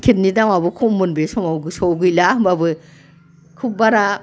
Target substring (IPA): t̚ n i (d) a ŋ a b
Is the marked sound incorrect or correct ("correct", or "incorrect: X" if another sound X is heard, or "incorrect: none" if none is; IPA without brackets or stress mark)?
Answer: correct